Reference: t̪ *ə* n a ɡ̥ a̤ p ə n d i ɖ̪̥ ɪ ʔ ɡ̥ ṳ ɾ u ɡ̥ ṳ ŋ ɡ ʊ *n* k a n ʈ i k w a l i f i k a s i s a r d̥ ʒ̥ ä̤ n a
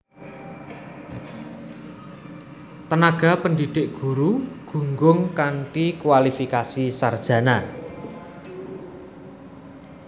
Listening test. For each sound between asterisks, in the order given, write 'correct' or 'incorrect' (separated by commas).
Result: correct, incorrect